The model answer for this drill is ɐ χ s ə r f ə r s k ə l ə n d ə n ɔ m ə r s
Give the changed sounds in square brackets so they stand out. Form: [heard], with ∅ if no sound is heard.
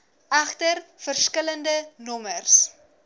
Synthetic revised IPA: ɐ χ [t] ə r f ə r s k ə l ə n d ə n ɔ m ə r s

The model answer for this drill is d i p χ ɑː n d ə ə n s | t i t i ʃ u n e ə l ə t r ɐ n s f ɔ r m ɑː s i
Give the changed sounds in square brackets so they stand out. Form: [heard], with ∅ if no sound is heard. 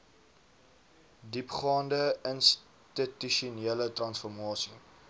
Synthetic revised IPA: d i p χ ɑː n d ə ə n s | t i t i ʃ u n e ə l ə t r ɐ n s f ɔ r m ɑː s i

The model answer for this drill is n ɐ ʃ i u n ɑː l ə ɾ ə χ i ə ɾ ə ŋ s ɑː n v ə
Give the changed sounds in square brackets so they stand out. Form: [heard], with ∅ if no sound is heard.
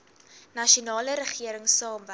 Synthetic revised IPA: n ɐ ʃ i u n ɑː l ə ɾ ə χ i ə ɾ ə ŋ s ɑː [m] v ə

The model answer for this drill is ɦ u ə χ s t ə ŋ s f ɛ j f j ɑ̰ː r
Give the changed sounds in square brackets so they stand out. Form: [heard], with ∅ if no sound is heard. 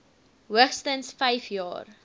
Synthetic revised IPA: ɦ u ə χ s t ə [n] s f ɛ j f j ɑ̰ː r

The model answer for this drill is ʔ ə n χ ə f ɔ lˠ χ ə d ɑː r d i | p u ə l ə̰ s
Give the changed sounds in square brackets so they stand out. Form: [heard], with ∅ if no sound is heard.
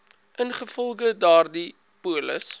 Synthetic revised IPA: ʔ ə n χ ə f ɔ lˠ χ ə d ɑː r d i | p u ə l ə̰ s

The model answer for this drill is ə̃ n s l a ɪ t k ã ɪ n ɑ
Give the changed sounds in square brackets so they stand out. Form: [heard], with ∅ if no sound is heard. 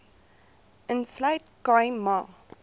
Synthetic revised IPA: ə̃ n s l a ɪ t k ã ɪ [m] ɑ

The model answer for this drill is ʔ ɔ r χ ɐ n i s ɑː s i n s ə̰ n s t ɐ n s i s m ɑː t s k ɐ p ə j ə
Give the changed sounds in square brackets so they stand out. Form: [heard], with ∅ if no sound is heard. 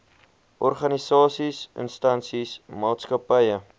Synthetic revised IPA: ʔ ɔ r χ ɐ n i s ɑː s i [∅] s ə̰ n s t ɐ n s i s m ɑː t s k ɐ p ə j ə

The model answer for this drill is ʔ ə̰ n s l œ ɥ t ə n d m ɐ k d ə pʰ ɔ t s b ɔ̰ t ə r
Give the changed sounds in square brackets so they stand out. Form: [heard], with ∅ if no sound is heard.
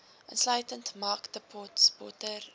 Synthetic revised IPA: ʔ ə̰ n s l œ ɥ t ə n [t] m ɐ k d ə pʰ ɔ t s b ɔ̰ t ə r

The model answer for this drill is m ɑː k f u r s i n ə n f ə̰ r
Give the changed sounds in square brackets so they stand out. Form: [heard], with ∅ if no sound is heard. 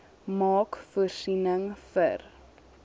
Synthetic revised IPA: m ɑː k f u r s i n ə [ŋ] f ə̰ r

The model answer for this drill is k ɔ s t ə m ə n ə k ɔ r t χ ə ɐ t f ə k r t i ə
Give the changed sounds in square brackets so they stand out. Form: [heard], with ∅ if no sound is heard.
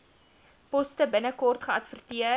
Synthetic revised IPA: [p] ɔ s t ə [b] ə n ə k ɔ r t χ ə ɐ t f ə [∅] r t i ə

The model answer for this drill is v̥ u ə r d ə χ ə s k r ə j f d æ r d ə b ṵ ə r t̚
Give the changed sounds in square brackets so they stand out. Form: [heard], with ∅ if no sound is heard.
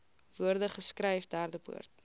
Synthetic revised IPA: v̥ u ə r d ə χ ə s k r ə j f d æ r d ə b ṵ ə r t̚

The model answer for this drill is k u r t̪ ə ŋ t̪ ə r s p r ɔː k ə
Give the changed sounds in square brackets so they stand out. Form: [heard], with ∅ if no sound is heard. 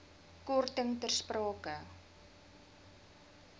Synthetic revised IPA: k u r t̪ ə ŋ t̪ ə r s p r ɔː k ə

